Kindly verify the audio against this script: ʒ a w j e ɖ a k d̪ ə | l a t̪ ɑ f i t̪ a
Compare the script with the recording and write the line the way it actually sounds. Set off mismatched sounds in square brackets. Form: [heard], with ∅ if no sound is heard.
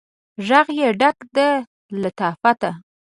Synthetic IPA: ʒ a [ɣ] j e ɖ a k d̪ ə | l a t̪ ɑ f [a] t̪ a